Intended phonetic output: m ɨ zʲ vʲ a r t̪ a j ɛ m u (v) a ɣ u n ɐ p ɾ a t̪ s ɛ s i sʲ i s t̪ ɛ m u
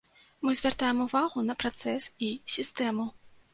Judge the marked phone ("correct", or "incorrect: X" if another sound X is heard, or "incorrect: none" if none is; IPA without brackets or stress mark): correct